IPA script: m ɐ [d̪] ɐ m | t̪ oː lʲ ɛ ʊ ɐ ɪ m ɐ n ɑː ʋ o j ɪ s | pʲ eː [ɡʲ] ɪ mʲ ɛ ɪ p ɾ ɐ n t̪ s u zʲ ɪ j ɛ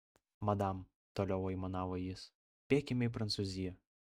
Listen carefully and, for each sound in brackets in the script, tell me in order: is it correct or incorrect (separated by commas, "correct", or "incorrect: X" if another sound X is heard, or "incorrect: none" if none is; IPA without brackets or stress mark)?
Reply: correct, incorrect: kʲ